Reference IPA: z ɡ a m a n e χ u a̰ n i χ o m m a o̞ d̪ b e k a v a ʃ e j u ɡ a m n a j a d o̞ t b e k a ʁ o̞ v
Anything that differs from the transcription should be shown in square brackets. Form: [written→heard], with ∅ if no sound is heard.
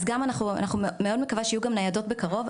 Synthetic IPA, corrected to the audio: z ɡ a m a n [e→a] χ u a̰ n [i→a] χ [o→u] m m [a→e] o̞ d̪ [b→m] e k a v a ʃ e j u ɡ a m n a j a d o̞ t b e k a ʁ o̞ v